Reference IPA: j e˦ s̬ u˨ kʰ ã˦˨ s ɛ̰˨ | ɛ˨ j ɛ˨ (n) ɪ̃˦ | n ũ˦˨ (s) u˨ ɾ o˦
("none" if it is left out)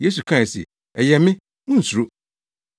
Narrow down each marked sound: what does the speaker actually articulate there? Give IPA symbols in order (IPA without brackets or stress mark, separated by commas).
m, s